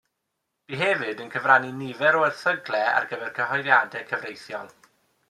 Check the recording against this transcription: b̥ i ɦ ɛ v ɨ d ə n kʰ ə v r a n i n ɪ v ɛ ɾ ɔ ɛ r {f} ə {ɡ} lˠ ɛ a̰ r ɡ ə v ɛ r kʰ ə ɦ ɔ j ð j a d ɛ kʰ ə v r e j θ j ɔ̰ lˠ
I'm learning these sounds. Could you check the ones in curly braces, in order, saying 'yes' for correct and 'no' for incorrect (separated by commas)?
no, yes